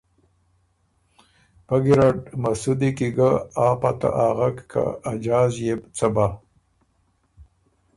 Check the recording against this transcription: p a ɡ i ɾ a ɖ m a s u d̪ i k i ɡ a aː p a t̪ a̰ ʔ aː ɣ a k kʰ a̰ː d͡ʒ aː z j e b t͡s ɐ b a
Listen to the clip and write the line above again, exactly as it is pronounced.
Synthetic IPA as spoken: p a ɡ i ɾ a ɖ m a s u d̪ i k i ɡ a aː p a t̪ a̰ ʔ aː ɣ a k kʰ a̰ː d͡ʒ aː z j e b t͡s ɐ b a